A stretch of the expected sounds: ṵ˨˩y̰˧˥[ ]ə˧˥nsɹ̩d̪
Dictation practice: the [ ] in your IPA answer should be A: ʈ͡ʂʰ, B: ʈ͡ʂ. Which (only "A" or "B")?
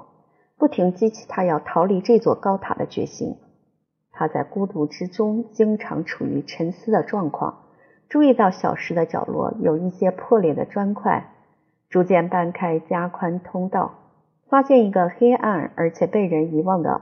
A